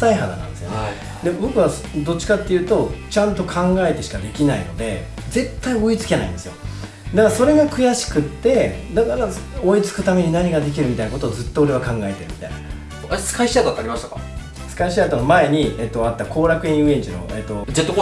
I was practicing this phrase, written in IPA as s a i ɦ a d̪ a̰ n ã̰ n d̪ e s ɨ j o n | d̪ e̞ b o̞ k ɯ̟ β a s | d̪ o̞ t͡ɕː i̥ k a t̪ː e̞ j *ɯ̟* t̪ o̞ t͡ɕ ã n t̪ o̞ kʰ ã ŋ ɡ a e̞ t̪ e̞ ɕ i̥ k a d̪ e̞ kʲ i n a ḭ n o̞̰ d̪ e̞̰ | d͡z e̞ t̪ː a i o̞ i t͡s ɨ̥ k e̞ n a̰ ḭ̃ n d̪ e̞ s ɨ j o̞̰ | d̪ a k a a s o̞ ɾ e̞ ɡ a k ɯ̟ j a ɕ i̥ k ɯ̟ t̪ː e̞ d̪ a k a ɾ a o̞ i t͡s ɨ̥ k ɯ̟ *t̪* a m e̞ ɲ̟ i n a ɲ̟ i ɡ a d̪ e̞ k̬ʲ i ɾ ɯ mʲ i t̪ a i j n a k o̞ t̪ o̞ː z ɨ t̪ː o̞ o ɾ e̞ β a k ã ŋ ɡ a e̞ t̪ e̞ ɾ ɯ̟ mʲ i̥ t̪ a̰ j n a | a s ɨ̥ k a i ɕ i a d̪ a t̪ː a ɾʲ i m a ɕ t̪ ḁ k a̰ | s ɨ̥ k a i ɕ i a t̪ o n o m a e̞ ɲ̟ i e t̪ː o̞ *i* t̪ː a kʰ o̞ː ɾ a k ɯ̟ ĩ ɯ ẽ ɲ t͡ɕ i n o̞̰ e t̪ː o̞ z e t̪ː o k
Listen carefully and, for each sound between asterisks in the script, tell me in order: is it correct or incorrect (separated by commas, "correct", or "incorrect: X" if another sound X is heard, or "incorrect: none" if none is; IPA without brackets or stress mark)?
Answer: incorrect: ɯ̟ː, correct, incorrect: a